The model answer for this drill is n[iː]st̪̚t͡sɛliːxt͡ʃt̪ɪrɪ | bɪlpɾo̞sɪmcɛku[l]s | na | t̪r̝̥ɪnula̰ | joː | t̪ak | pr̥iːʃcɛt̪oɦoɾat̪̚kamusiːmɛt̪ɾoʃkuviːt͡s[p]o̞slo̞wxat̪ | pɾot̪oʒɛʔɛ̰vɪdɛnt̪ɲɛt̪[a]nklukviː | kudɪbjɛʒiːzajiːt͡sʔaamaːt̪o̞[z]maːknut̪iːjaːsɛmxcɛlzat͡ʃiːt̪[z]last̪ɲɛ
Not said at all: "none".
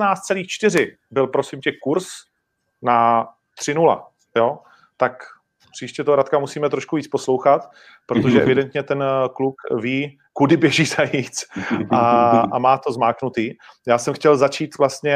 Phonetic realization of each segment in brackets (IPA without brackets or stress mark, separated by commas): aː, ɾ, p, ɛ, z, v